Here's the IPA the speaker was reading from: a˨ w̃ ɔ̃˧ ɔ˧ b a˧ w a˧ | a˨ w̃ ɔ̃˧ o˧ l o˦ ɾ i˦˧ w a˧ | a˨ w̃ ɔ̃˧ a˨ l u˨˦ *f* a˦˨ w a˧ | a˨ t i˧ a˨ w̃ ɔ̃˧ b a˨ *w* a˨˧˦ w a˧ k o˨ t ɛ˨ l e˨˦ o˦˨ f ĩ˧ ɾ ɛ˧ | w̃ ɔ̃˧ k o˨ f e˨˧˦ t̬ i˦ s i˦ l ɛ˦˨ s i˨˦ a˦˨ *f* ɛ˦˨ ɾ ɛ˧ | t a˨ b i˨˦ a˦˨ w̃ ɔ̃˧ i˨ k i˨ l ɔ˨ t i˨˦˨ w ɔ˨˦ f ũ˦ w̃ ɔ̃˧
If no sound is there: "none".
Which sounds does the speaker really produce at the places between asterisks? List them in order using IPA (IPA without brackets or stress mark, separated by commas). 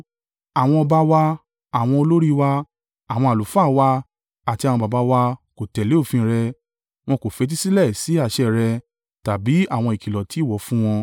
f, b, ʃ